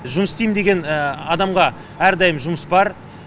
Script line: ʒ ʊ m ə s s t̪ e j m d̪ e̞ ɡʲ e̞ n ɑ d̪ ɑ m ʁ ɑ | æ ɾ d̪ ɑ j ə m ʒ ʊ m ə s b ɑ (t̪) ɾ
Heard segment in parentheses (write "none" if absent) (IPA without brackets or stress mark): none